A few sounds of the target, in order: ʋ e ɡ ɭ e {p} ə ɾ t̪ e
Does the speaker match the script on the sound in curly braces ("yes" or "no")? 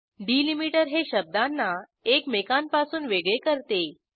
no